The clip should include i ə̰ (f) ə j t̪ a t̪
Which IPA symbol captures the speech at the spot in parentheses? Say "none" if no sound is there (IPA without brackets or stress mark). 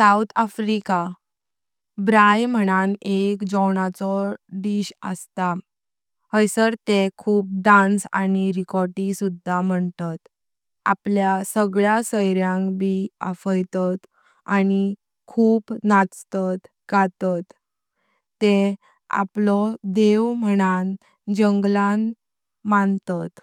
f